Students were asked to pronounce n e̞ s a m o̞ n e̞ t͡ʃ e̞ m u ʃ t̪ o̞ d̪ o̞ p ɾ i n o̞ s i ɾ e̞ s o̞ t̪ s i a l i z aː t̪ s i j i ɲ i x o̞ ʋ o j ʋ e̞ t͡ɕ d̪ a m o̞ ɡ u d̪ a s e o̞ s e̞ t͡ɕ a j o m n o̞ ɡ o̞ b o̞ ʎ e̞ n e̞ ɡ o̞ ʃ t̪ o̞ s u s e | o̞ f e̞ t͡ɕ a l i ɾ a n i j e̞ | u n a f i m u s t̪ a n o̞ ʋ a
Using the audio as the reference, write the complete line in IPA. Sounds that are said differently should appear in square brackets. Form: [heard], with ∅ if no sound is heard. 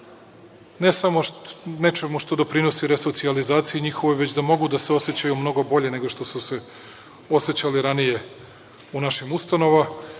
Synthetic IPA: n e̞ s a m o̞ n e̞ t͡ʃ e̞ m u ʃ t̪ o̞ d̪ o̞ p ɾ i n o̞ s i ɾ e̞ s o̞ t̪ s i a l i z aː t̪ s i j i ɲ i x o̞ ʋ o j ʋ e̞ t͡ɕ d̪ a m o̞ ɡ u d̪ a s e o̞ s e̞ t͡ɕ a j [u] m n o̞ ɡ o̞ b o̞ ʎ e̞ n e̞ ɡ o̞ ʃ t̪ o̞ s u s e | o̞ [s] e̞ t͡ɕ a l i ɾ a n i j e̞ | u n a [ʃ] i m u s t̪ a n o̞ ʋ a